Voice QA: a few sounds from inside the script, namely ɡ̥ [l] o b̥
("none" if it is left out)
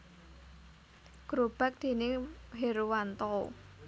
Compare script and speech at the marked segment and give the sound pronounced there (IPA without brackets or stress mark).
ɾ